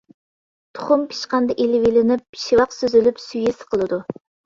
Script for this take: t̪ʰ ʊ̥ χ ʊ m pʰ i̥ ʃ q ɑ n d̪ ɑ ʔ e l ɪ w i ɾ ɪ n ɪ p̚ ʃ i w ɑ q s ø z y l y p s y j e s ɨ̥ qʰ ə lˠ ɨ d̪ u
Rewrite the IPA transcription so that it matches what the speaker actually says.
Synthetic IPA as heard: t̪ʰ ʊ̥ χ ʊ m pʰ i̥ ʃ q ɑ n d̪ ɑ ʔ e l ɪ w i l ɪ n ɪ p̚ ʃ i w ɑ q s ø z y l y p s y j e s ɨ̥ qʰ ə lˠ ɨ d̪ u